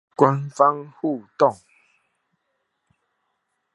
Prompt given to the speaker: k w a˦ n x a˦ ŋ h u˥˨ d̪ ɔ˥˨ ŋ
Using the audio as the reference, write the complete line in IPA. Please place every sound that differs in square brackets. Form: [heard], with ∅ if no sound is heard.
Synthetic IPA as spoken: k w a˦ n [f] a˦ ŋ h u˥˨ [t̪] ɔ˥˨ ŋ